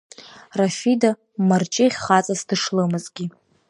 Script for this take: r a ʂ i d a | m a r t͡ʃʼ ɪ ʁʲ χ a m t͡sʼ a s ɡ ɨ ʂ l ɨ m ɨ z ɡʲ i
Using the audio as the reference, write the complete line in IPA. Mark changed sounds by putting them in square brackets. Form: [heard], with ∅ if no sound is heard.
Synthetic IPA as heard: r a [f] i d a | m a r t͡ʃʼ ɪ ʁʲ χ a [∅] t͡sʼ a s [d] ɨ ʂ l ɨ m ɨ z ɡʲ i